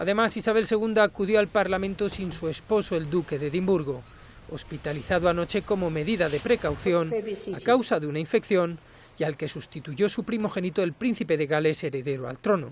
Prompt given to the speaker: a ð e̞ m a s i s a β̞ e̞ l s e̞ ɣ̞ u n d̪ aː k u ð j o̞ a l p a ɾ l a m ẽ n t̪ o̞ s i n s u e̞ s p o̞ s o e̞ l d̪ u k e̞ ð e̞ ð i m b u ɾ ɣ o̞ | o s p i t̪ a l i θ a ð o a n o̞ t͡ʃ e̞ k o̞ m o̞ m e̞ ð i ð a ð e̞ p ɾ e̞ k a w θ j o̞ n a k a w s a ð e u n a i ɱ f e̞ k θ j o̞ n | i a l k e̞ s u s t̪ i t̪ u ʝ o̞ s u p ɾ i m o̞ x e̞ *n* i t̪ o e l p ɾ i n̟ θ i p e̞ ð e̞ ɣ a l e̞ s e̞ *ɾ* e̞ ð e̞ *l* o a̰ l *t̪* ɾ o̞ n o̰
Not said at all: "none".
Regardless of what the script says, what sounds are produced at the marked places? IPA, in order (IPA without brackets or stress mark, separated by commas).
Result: n, ɾ, ɾ, t̪